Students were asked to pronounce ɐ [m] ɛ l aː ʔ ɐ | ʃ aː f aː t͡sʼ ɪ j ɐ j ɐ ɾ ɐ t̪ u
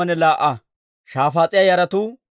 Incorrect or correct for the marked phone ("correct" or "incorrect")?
incorrect